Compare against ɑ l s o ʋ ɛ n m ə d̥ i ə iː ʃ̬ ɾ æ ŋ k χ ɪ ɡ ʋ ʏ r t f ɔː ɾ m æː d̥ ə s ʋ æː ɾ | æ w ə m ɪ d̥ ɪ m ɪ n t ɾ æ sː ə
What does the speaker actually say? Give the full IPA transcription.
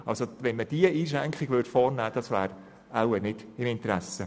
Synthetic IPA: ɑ l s o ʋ ɛ n m ə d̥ i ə iː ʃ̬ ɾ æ ŋ k χ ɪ ɡ ʋ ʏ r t f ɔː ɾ n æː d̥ ɑ s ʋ æː ɾ | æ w ə n ɪ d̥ ɪ m ɪ n t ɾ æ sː ə